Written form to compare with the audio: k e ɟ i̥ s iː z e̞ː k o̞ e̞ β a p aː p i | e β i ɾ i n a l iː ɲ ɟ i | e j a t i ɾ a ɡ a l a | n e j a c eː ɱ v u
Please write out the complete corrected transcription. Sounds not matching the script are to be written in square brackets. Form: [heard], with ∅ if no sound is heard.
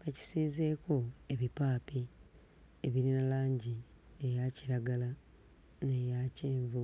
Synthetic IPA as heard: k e [c] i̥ s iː z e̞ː k o̞ e̞ β [i] p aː p i | e β i ɾ i n a l [aː] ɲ ɟ i | e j a [c] i ɾ a ɡ a l a | n e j a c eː ɱ v u

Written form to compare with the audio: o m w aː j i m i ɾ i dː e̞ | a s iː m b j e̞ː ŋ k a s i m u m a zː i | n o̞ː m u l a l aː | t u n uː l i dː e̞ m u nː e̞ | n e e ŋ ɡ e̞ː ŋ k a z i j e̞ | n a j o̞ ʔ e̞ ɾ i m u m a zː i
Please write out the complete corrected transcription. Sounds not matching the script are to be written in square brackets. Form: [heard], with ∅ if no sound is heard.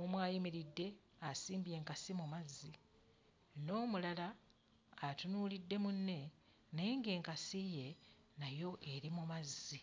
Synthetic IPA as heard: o m w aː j i m i ɾ i dː e̞ | a s iː m b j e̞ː ŋ k a s i m u m a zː i | n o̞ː m u l a l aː | t u n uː l i dː e̞ m u nː e̞ | n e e ŋ ɡ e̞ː ŋ k a [s] i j e̞ | n a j o̞ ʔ e̞ ɾ i m u m a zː i

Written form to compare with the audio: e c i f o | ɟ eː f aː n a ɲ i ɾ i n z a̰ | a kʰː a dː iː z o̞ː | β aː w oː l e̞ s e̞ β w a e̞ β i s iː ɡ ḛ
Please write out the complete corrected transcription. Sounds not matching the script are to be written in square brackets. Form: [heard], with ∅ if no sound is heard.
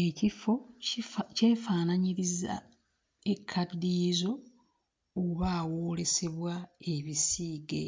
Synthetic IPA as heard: e c i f o | [c] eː f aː n a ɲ i ɾ i [∅] z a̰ | [e] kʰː a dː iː z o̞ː | β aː w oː l e̞ s e̞ β w a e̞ β i s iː ɡ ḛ

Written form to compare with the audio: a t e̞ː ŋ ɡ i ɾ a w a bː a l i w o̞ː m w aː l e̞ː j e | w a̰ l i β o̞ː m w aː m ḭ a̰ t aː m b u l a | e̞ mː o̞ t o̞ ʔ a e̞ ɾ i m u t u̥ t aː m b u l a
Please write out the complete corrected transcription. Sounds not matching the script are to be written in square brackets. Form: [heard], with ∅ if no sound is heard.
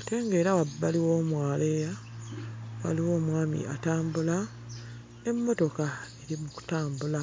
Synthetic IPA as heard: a t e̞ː ŋ ɡ [e] ɾ a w a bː a l i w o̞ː m w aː l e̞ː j [a] | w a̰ l i [w] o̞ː m w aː m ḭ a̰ t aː m b u l a | e̞ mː o̞ t o̞ [k] a e̞ ɾ i m u [k] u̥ t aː m b u l a

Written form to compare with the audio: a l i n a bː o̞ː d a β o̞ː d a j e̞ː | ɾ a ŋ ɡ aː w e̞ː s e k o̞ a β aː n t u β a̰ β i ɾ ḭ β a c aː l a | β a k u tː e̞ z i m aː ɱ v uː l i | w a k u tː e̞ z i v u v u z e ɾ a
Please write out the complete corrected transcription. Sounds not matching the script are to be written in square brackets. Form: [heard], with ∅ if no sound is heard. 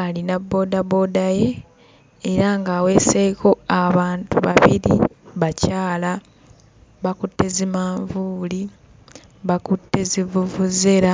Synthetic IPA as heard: a l i n a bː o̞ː d a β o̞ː d a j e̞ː | ɾ a ŋ ɡ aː w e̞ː s e k o̞ a β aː n t u β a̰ β i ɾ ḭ β a c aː l a | β a k u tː e̞ z i m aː ɱ v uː l i | [β] a k u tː e̞ z i v u v u z e ɾ a

